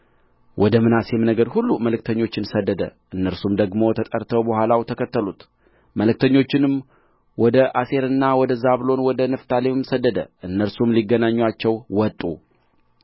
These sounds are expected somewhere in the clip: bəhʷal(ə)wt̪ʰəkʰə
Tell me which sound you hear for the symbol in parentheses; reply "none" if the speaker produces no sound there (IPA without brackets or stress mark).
a